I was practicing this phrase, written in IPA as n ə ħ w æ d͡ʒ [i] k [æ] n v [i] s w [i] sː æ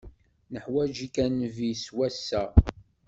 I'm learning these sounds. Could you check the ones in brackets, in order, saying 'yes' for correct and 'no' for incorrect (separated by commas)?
yes, yes, yes, no